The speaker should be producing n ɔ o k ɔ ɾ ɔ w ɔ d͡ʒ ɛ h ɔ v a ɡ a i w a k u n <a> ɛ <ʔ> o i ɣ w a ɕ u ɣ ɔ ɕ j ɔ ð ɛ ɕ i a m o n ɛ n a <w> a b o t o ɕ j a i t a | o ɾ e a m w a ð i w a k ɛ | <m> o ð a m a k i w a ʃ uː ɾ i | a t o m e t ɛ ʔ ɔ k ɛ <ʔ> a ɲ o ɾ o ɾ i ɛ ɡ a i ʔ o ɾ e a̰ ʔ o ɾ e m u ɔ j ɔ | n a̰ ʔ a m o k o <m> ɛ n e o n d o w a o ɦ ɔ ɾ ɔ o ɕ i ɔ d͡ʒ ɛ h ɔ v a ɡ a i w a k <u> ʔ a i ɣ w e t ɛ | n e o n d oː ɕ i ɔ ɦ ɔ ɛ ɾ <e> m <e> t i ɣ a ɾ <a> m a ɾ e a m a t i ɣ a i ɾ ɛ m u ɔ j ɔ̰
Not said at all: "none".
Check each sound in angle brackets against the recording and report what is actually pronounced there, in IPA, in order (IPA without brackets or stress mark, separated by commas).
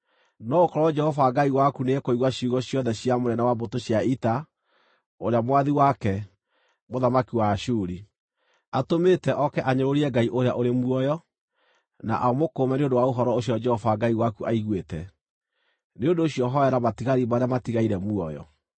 e, k, w, m, ʔ, m, u, a, a, i